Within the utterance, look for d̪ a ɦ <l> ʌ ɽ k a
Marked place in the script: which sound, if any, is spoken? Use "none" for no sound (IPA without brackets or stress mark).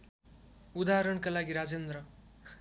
ɾ